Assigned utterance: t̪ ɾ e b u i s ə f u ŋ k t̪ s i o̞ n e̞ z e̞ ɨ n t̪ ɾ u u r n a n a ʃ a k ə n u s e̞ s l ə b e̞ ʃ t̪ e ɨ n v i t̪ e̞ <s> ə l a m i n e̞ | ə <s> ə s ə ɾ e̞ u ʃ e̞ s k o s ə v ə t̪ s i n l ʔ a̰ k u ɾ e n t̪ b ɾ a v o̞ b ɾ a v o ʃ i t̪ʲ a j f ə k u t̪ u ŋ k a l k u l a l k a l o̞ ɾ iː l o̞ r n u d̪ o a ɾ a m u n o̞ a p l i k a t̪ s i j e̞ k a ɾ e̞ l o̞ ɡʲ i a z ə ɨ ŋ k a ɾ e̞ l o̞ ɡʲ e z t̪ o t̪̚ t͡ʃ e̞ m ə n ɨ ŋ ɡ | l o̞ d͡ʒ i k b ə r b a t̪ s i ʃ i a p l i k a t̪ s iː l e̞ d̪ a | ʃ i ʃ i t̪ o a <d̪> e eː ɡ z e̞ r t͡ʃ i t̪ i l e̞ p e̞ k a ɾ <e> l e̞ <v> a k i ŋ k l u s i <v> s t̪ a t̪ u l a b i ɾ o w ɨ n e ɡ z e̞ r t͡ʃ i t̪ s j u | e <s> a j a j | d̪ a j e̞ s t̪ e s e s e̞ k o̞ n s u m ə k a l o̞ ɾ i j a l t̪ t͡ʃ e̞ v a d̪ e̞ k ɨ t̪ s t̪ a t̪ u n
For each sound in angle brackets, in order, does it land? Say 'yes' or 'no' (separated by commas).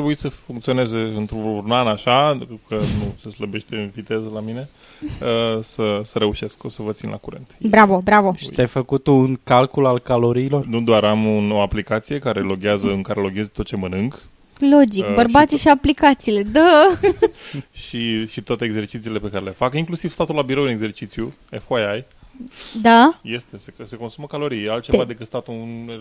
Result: no, yes, no, yes, no, yes, no